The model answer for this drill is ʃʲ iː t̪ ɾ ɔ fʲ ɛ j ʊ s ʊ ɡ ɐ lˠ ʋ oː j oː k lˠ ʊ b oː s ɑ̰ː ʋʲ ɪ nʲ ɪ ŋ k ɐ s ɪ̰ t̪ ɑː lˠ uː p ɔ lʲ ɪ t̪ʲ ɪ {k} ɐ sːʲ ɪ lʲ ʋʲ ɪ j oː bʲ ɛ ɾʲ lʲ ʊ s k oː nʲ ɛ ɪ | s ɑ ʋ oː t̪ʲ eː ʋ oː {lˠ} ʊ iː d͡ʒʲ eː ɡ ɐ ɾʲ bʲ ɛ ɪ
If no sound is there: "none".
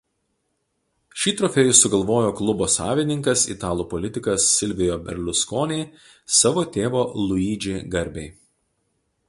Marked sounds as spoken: k, lˠ

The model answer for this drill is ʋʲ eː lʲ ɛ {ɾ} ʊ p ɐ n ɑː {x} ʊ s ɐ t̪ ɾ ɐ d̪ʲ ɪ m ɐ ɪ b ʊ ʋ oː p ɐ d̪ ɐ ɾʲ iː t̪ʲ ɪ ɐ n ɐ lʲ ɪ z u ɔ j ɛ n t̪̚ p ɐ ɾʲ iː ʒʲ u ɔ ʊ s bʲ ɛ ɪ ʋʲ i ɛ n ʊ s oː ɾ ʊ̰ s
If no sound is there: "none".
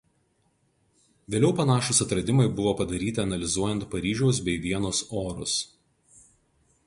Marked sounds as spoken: none, ʃ

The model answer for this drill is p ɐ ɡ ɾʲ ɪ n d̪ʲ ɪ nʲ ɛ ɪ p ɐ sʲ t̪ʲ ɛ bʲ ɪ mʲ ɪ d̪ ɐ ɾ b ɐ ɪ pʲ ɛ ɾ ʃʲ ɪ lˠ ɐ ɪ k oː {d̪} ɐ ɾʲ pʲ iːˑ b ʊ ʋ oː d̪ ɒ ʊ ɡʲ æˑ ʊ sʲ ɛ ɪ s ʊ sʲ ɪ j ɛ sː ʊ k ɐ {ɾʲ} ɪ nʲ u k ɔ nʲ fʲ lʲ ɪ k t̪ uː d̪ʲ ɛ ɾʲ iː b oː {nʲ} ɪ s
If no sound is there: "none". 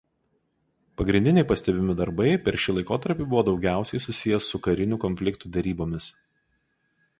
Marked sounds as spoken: t̪, ɾʲ, mʲ

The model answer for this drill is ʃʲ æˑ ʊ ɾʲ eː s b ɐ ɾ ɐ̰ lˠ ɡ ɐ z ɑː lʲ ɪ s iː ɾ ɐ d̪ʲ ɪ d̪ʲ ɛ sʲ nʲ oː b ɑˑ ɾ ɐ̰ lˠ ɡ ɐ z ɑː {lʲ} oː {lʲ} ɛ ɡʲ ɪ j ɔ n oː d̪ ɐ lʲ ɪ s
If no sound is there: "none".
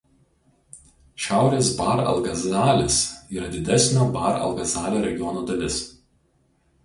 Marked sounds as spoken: lʲ, ɾʲ

